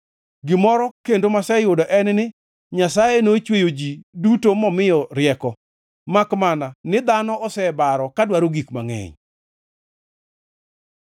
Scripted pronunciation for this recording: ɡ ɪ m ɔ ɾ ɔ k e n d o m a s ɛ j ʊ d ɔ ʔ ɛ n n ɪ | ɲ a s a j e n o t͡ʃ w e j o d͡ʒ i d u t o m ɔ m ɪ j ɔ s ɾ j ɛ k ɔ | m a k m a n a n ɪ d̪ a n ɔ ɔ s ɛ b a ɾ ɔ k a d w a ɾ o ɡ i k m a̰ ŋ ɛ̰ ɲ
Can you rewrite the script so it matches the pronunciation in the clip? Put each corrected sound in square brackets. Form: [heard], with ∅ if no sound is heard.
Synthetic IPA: ɡ ɪ m ɔ ɾ ɔ k e n d o m a s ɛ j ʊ d ɔ ʔ ɛ n n ɪ | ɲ a s a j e n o t͡ʃ w e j o d͡ʒ i d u t o m ɔ m ɪ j ɔ [∅] ɾ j ɛ k ɔ | m a k m a n a n ɪ d̪ a n ɔ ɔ s ɛ b a ɾ ɔ k a d w a ɾ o ɡ i k m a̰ ŋ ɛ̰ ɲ